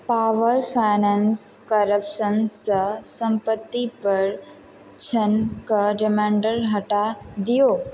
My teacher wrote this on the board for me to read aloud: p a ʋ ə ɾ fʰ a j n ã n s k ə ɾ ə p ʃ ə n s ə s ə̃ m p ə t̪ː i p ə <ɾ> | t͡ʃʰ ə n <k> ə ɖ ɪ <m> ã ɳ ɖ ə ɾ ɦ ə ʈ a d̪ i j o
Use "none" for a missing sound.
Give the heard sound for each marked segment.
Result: ɾ, k, m

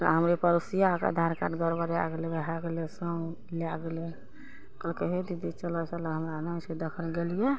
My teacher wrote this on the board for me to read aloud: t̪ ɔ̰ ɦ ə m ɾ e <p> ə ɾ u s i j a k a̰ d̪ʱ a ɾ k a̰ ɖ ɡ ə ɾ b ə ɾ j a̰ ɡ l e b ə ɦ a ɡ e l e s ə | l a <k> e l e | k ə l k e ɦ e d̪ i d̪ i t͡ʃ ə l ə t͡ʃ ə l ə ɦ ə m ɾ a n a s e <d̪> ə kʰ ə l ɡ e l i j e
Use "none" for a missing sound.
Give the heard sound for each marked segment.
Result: p, ɡ, d̪

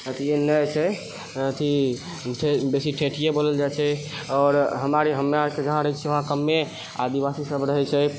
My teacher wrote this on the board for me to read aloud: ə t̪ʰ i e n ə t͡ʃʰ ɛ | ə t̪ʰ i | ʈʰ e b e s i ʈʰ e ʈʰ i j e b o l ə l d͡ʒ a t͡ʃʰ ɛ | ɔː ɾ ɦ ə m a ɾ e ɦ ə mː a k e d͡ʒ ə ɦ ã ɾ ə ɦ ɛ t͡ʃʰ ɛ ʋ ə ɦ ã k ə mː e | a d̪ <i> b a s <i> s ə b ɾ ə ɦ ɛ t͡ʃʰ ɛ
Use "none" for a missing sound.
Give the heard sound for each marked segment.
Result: i, i

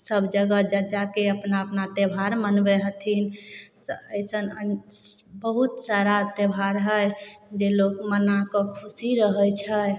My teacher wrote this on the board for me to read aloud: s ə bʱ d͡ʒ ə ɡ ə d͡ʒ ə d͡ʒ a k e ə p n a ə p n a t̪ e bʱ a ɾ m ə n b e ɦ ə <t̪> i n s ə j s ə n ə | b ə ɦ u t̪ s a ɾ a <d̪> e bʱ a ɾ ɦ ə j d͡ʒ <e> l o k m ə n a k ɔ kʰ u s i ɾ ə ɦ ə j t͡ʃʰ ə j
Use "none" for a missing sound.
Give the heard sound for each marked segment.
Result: t̪ʰ, t̪, e

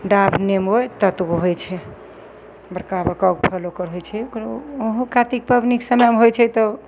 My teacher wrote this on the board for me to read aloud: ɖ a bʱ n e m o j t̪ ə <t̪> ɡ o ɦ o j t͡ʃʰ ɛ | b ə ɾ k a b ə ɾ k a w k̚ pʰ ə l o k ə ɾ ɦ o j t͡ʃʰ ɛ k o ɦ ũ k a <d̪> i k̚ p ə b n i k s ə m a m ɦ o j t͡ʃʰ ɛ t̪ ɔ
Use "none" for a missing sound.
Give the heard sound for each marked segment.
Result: t̪, t̪

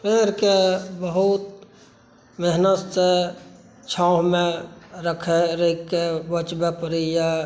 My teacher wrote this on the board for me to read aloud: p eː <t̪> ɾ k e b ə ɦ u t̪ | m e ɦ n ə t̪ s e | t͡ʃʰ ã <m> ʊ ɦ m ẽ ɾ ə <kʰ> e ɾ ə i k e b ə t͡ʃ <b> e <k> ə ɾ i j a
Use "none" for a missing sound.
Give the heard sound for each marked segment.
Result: none, none, kʰ, b, p

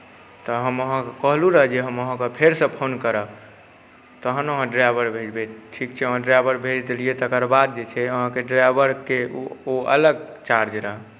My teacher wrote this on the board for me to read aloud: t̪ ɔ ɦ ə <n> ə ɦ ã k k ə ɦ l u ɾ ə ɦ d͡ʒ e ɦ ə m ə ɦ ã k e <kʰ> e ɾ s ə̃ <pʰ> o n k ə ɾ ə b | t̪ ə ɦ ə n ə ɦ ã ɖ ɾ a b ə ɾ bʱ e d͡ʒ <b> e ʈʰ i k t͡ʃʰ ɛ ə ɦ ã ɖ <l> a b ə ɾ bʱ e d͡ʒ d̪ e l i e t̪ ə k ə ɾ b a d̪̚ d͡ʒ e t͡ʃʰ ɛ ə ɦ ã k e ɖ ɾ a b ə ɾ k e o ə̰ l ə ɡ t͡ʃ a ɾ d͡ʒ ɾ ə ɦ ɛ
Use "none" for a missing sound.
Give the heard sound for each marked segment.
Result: m, pʰ, pʰ, b, ɾ

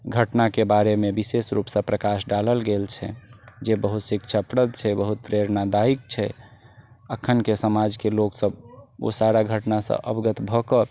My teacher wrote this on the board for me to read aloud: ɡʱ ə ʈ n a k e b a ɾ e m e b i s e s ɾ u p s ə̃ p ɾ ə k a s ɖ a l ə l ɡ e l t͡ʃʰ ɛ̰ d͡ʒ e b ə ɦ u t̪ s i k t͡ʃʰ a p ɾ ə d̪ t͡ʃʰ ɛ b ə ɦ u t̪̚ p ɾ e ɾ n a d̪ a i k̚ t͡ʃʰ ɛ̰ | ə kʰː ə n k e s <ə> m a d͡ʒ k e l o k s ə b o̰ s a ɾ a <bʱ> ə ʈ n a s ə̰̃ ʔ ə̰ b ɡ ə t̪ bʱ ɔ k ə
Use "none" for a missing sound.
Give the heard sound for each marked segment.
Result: ə, ɡʱ

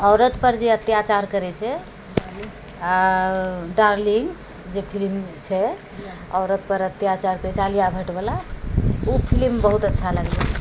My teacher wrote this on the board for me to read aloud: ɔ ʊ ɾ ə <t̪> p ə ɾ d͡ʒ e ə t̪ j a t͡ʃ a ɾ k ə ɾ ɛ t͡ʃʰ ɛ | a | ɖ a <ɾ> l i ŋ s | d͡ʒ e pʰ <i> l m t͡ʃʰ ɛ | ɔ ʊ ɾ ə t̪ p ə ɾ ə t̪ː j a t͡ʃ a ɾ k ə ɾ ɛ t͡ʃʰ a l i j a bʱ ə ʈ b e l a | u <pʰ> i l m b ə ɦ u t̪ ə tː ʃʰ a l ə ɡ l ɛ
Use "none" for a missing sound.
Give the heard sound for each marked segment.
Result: t̪, ɾ, i, pʰ

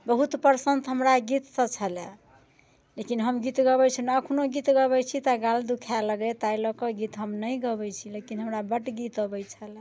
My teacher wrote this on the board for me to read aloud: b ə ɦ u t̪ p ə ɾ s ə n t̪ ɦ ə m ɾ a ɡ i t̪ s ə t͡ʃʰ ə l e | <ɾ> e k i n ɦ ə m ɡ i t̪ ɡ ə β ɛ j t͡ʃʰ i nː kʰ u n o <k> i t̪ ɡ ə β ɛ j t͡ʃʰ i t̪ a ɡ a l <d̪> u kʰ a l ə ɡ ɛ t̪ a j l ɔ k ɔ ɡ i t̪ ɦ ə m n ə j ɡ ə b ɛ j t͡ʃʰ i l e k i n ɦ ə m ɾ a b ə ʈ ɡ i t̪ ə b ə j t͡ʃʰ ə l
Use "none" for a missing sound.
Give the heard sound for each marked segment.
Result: l, ɡ, d̪

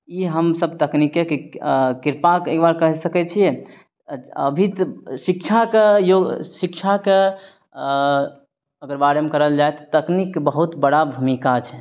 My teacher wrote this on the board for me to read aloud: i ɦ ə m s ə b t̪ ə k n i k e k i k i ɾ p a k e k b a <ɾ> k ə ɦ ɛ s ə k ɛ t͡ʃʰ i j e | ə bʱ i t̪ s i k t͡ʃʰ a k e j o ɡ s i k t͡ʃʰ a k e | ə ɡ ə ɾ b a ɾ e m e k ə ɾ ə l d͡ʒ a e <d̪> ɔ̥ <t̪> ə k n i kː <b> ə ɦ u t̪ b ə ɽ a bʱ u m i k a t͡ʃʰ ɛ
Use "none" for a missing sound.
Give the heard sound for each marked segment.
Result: ɾ, t̪, t̪, b

